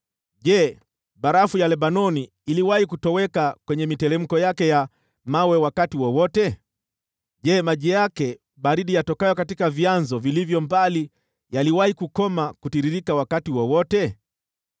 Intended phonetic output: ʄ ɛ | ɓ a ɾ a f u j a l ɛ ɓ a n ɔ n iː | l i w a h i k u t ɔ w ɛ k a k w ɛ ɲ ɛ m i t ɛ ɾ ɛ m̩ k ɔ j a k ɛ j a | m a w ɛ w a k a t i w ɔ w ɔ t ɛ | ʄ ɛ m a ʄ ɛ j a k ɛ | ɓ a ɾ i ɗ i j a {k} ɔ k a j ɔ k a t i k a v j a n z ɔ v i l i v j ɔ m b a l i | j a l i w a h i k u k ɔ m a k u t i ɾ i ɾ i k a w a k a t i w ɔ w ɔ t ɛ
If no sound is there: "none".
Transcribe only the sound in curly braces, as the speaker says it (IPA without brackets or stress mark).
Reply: t